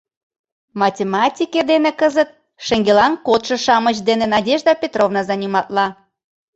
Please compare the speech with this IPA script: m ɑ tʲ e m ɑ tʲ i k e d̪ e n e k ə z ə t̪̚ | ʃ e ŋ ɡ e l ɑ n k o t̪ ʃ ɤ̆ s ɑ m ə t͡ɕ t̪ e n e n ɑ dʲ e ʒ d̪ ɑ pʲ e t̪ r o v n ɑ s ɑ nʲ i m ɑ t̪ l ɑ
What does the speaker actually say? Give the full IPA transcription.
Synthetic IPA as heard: m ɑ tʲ e m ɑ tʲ i k e d̪ e n e k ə z ə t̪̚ | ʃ e ŋ ɡ e l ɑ n k o t̪ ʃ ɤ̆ ʃ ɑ m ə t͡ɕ d̪ e n e n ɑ dʲ e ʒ d̪ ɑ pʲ e t̪ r o v n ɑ z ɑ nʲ i m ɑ t̪ l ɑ